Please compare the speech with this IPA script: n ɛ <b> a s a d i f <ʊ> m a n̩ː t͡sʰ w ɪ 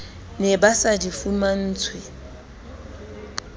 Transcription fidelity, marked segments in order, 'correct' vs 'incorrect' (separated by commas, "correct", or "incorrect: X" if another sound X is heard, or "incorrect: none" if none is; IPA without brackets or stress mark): correct, incorrect: u